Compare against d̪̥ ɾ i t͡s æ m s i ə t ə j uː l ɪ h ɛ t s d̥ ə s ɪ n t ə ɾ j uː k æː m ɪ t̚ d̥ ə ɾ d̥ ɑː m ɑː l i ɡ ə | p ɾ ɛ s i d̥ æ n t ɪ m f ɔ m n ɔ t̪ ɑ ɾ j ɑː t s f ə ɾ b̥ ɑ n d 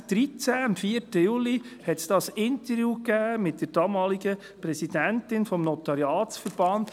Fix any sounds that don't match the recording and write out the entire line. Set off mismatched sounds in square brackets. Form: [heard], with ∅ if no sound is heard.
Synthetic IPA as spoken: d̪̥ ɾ i t͡s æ m [f] i ə t ə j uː l [i] h ɛ t s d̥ [ɑ] s ɪ n t ə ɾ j uː k æː m ɪ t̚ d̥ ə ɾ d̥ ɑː m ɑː l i ɡ ə | p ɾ ɛ s i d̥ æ n t ɪ [n] f ɔ m n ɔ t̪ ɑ ɾ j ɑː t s f ə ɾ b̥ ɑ n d